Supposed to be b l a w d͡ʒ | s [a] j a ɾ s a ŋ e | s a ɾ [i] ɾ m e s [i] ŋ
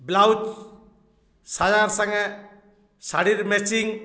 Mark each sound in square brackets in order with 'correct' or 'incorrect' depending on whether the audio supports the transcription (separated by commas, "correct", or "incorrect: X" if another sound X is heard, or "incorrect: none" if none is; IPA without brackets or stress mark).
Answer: correct, correct, correct